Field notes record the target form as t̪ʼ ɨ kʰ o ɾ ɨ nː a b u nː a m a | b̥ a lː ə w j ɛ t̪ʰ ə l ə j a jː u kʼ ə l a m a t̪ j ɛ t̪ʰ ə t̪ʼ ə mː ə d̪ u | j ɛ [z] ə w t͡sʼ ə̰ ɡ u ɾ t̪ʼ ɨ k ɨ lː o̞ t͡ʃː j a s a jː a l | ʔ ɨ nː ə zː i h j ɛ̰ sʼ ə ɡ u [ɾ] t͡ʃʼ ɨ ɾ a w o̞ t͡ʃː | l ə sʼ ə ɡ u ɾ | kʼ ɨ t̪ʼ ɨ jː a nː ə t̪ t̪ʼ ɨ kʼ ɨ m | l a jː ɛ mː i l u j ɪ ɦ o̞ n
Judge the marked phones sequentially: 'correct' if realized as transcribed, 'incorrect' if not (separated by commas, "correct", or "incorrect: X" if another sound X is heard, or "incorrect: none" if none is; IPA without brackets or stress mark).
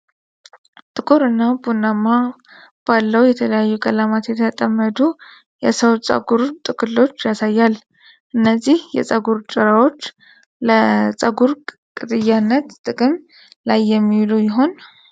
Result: incorrect: s, correct